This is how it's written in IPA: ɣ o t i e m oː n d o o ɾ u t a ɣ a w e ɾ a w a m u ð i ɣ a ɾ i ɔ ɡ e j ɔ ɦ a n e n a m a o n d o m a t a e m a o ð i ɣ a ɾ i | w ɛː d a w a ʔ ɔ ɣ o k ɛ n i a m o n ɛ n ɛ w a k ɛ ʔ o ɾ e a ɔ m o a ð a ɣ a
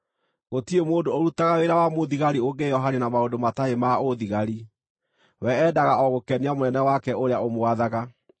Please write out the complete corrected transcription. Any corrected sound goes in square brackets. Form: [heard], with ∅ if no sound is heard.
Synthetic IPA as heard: ɣ o t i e m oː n d o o ɾ u t a ɣ a w e ɾ a w a m [o] ð i ɣ a ɾ i [o] ɡ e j ɔ ɦ a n e n a m a o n d o m a t a e m a o ð i ɣ a ɾ i | w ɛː d a [ɣ] a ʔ ɔ ɣ o k ɛ n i a m o n ɛ n ɛ w a k ɛ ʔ o ɾ e a [o] m o a ð a ɣ a